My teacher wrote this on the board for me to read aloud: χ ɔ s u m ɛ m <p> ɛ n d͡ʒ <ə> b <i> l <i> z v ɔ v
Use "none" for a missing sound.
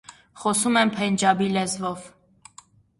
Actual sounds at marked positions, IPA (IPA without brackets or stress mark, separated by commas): pʰ, ɑ, i, ɛ